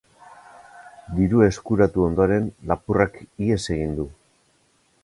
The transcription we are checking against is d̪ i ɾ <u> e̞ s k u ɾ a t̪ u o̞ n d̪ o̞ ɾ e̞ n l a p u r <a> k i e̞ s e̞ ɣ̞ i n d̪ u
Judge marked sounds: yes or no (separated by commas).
yes, yes